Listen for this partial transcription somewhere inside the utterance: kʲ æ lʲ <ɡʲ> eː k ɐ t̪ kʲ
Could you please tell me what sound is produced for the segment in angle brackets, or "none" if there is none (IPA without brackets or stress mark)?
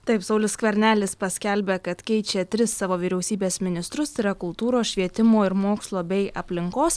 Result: bʲ